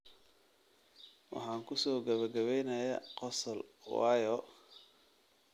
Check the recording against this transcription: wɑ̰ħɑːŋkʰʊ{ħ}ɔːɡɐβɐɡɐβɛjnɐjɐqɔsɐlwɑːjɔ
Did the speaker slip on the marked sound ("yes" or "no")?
yes